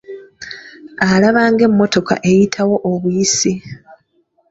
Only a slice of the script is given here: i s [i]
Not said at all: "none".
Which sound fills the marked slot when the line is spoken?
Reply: i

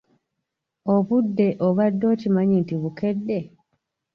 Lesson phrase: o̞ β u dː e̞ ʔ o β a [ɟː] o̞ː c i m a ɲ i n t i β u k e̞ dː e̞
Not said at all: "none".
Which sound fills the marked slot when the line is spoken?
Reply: dː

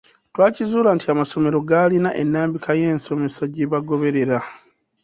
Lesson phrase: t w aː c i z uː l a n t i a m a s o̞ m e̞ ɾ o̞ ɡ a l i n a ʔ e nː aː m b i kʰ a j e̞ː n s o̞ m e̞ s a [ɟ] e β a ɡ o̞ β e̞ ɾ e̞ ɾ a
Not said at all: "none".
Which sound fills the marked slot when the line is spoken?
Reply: ɟ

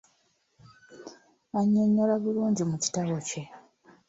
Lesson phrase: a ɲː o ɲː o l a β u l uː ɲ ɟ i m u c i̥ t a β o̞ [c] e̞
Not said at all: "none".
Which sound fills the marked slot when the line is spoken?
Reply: c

